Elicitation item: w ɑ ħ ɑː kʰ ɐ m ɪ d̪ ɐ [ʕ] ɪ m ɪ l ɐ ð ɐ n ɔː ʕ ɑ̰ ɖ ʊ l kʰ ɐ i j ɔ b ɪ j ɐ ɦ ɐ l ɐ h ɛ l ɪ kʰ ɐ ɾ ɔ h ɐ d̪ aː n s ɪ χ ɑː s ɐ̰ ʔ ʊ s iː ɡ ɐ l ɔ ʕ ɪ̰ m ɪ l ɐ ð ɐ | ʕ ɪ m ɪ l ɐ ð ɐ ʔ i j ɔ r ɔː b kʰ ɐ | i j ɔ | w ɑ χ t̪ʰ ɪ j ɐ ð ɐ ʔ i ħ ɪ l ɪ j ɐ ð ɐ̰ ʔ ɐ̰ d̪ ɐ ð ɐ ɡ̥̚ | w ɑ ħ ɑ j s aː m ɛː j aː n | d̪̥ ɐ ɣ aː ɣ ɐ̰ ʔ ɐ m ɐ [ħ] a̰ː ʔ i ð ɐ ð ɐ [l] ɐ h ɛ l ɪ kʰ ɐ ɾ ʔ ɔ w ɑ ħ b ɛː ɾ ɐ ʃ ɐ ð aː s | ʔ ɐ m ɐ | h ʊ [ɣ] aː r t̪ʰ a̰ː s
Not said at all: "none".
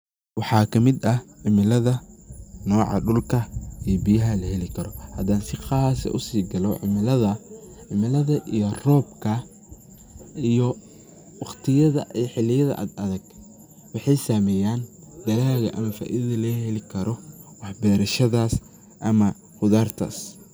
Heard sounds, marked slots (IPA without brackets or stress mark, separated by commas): ʕ, f, l, ð